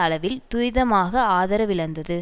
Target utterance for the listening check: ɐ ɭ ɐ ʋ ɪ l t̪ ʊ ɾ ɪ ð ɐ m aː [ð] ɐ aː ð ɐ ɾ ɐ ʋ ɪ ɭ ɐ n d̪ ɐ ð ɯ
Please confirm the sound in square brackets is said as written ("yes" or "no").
no